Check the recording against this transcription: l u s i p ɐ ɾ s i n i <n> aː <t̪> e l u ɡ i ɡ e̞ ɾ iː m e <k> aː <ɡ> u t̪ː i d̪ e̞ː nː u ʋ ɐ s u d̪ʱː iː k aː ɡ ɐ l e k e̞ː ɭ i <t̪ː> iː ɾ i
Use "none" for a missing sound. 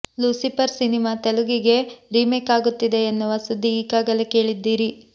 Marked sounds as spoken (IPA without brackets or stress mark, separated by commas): m, t̪, k, ɡ, d̪ː